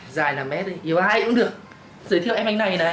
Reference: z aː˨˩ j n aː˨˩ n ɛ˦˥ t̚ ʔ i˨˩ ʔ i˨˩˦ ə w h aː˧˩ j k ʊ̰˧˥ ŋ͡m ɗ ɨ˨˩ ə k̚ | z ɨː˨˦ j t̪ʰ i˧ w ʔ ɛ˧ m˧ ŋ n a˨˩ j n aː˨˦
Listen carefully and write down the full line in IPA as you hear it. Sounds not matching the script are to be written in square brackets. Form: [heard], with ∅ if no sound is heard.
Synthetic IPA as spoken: z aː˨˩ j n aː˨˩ [m] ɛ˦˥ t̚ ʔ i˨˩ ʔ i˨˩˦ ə w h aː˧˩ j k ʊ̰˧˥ ŋ͡m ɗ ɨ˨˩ ə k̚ | z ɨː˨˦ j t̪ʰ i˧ w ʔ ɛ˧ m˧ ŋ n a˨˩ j n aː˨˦